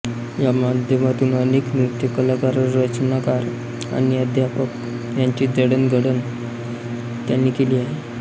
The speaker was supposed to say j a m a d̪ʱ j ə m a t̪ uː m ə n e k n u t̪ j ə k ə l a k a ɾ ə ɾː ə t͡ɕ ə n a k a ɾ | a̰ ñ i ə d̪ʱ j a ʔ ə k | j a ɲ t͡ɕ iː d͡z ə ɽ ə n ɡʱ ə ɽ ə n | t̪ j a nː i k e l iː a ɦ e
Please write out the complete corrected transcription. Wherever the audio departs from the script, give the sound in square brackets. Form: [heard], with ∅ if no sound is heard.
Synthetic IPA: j a m a d̪ʱ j ə m a t̪ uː [n] ə n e k n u t̪ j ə k ə l a k a ɾ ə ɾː ə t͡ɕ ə n a k a ɾ | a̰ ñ i ə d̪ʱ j a [p] ə k | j a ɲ t͡ɕ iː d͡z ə ɽ ə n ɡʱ ə ɽ ə n | t̪ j a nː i k e l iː a ɦ e